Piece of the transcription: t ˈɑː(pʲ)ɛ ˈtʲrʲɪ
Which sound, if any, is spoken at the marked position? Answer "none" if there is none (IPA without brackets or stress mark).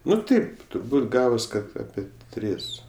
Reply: pʲ